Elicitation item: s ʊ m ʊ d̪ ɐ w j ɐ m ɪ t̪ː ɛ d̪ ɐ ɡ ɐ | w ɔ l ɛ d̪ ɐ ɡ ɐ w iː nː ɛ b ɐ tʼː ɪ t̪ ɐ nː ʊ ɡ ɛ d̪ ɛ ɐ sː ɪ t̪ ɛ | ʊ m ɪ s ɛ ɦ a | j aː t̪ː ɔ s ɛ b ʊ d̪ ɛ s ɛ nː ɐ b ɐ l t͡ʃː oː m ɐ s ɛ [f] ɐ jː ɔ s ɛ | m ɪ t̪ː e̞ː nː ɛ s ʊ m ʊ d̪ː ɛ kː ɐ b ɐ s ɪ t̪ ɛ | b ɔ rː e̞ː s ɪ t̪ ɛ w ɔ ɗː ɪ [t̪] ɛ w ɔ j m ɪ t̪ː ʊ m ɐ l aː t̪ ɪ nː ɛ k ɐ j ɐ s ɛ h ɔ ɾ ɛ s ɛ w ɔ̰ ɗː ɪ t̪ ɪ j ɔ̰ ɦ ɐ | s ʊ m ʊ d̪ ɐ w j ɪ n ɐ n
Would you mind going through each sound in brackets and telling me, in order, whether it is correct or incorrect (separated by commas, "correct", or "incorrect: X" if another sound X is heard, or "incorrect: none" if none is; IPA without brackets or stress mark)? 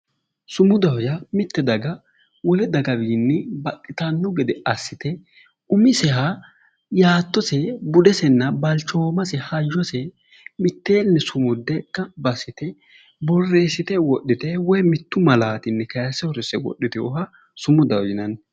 incorrect: h, correct